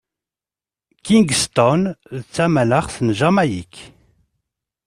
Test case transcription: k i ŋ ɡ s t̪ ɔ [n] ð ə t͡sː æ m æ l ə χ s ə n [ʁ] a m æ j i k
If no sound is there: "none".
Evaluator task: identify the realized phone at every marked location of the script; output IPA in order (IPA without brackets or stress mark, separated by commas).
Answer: n, ʒ